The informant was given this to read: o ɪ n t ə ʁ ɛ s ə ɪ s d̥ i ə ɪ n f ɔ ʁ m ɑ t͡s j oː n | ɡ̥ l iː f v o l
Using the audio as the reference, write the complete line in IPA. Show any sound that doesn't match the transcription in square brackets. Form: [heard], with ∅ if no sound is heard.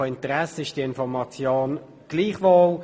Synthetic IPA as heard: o ɪ n t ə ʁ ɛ s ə ɪ [ʃ] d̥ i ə ɪ n f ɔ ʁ m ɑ t͡s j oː n | ɡ̥ l iː [χ] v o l